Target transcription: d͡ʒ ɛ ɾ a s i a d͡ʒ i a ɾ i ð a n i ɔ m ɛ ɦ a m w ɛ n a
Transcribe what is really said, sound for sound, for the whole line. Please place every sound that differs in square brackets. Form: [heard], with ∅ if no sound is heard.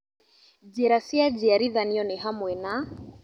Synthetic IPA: d͡ʒ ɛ ɾ a s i a d͡ʒ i a ɾ i ð a n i ɔ [n] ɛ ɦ a m w ɛ n a